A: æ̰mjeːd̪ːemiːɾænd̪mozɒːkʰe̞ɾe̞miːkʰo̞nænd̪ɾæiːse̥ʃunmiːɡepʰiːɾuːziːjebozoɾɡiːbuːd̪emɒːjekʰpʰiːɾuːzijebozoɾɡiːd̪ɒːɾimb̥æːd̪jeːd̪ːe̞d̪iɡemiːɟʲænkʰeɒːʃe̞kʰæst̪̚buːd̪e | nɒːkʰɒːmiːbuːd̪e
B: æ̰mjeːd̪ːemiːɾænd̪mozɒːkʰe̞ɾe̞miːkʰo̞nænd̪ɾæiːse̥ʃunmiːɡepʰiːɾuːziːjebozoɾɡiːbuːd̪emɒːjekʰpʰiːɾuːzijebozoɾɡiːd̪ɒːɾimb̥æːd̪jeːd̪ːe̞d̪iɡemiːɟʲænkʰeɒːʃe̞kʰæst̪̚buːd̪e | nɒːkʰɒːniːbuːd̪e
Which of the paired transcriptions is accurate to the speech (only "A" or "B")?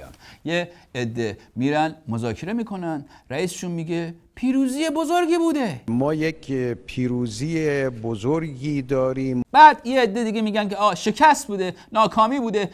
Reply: A